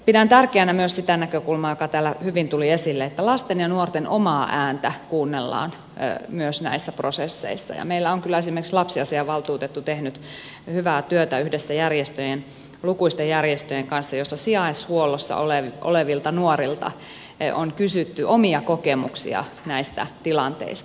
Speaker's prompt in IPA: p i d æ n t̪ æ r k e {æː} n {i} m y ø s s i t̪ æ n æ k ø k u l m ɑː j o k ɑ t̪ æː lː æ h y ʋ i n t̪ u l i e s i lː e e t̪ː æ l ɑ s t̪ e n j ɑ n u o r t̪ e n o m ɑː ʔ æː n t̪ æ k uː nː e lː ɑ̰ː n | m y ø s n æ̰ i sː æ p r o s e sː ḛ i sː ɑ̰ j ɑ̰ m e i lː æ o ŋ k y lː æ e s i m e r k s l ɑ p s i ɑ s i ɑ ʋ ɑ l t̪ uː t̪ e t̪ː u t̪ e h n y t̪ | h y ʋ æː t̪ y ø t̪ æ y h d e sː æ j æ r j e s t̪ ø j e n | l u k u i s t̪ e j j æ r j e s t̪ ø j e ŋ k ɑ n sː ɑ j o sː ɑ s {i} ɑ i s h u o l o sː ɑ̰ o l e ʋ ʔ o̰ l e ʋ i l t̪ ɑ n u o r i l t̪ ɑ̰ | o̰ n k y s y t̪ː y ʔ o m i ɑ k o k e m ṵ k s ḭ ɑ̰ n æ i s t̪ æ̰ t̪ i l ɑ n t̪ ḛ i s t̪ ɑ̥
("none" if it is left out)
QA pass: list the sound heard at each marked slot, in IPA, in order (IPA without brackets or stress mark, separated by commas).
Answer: æ, æ, i